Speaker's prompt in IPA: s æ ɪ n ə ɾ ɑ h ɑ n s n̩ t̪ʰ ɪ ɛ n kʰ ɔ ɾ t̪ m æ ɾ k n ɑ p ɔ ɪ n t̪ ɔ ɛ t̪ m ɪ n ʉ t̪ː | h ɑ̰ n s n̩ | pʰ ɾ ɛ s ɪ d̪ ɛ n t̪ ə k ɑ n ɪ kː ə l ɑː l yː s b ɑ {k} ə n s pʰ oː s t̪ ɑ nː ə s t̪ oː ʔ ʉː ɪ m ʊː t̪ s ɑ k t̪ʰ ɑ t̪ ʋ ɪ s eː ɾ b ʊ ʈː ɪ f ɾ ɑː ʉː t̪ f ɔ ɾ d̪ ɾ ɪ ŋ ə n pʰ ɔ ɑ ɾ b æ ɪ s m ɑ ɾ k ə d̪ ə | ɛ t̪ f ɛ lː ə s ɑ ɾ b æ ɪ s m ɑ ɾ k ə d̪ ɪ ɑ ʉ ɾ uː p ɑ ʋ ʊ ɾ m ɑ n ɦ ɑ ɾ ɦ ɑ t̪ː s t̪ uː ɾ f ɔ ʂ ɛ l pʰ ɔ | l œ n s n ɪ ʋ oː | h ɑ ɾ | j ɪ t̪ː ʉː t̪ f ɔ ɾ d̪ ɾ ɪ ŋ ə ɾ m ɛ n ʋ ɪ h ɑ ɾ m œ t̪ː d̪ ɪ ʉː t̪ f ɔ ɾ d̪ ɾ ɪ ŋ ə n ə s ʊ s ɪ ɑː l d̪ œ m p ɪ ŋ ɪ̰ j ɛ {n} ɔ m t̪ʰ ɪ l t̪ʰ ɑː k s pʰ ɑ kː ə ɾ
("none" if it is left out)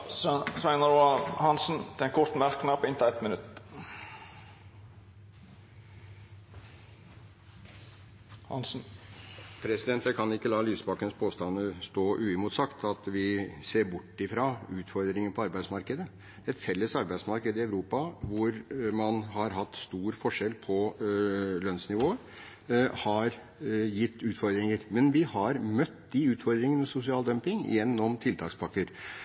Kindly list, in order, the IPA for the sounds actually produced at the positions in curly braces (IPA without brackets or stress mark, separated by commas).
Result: k, nː